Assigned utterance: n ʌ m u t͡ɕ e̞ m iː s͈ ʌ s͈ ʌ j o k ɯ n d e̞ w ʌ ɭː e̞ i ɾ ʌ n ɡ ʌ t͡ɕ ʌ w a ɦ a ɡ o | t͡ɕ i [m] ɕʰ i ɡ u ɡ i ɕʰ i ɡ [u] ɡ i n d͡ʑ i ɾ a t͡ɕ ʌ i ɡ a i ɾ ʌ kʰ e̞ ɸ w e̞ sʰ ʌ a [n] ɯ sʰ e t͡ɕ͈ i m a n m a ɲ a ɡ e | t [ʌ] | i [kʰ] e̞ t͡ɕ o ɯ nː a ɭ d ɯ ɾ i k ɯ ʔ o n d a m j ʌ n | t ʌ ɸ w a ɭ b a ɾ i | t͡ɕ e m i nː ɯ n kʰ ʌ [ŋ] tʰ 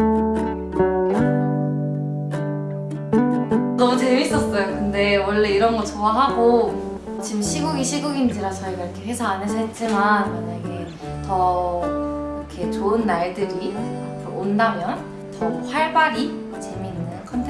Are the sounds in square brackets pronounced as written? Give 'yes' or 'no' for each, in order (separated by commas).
yes, yes, yes, yes, yes, no